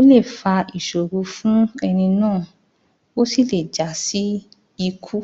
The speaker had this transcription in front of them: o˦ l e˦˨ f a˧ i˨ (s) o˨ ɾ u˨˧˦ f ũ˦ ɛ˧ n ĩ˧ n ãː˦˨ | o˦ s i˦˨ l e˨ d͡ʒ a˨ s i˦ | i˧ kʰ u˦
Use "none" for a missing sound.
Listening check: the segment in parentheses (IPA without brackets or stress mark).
ʃ